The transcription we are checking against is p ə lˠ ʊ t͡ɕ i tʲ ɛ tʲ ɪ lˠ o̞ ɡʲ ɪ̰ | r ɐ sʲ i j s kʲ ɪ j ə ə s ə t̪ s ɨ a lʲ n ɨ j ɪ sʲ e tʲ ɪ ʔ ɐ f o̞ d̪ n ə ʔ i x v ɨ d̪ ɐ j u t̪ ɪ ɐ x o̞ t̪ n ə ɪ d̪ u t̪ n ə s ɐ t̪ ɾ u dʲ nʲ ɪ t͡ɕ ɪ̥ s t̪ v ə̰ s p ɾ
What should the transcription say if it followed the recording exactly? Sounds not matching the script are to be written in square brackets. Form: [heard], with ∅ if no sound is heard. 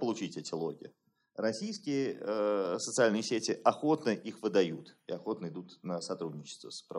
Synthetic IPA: p ə lˠ ʊ t͡ɕ i tʲ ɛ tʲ ɪ lˠ o̞ ɡʲ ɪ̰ | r ɐ sʲ i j s kʲ ɪ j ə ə s ə t̪ s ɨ a lʲ n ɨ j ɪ sʲ e tʲ ɪ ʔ ɐ [x] o̞ [t̪] n ə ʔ i x v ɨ d̪ ɐ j u t̪ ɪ ɐ x o̞ t̪ n ə ɪ d̪ u t̪ n ə s ɐ t̪ ɾ u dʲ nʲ ɪ t͡ɕ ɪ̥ s t̪ v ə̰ s p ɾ